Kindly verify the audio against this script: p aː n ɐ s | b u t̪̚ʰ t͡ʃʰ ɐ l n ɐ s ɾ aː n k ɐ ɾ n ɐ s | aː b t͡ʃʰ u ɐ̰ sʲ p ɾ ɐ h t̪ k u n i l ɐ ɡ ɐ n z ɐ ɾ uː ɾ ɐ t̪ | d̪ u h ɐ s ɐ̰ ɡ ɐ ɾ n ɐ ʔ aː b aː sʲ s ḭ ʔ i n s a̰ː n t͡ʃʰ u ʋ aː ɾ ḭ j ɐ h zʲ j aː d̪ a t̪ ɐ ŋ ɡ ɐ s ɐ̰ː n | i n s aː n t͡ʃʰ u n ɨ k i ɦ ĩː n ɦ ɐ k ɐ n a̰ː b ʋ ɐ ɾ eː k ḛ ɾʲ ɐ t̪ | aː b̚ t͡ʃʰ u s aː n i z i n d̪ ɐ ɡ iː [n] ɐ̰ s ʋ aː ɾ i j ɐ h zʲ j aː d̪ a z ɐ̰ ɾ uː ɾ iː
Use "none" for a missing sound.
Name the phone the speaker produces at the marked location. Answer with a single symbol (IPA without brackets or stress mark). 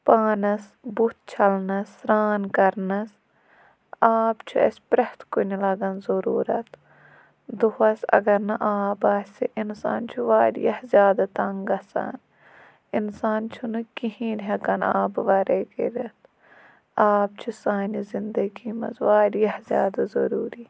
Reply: m